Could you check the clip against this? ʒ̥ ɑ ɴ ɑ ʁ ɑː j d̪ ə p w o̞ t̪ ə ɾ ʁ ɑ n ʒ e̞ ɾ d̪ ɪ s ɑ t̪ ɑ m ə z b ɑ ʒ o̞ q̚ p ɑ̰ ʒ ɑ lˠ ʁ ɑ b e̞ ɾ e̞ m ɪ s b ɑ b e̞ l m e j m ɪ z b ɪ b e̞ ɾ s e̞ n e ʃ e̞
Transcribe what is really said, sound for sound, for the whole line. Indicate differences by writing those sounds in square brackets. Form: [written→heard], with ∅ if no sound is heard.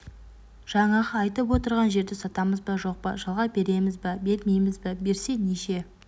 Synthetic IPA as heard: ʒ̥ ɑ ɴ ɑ ʁ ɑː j [d̪→t̪] ə p w o̞ t̪ ə ɾ ʁ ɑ n ʒ e̞ ɾ d̪ ɪ s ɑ t̪ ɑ m ə z b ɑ ʒ o̞ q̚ p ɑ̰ ʒ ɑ lˠ ʁ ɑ b e̞ ɾ e̞ m ɪ [s→z] b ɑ b e̞ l m e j m ɪ z b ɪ b e̞ ɾ s e̞ n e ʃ e̞